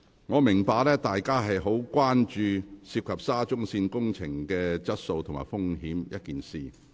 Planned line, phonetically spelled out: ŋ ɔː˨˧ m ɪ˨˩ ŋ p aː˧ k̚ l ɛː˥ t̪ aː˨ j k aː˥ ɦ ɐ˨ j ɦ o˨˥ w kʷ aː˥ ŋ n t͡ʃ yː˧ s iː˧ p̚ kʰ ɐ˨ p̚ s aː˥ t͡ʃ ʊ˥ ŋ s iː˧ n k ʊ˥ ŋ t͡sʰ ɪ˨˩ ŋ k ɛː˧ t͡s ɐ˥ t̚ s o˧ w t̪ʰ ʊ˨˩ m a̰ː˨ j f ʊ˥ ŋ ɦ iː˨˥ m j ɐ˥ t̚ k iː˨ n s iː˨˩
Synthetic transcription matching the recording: ŋ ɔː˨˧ m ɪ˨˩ ŋ p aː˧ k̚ l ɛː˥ t̪ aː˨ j k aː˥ ɦ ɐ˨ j ɦ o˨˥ w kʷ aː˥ n t͡ʃ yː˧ s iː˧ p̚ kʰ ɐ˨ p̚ s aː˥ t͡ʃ ʊ˥ ŋ s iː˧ n k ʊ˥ ŋ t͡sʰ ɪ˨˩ ŋ k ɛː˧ t͡s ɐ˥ t̚ s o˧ w t̪ʰ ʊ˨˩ m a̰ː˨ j f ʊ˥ ŋ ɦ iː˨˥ m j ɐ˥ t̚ k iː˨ n s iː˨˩